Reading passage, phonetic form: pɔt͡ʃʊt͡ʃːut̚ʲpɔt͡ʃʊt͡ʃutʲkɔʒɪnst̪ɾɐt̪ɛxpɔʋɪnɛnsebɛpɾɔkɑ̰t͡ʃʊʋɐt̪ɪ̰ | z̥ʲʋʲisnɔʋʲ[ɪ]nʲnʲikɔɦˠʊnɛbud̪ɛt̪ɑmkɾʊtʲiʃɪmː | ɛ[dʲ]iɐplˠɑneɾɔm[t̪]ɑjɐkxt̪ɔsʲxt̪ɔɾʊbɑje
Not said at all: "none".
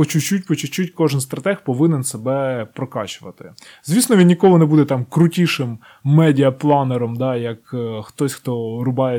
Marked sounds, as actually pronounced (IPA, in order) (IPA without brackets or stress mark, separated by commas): i, dʲ, d̪